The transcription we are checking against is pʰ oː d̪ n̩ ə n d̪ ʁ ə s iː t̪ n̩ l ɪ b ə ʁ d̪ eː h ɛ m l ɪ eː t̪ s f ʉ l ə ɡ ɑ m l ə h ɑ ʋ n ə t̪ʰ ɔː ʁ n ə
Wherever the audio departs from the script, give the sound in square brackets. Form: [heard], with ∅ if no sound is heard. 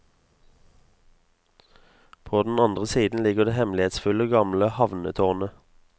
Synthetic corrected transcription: pʰ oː d̪ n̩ [ɑ] n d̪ ʁ ə s iː [d̪] n̩ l ɪ [ɡ] ə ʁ d̪ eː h ɛ m l ɪ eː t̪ s f ʉ l ə ɡ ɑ m l ə h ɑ ʋ n ə t̪ʰ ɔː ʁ n ə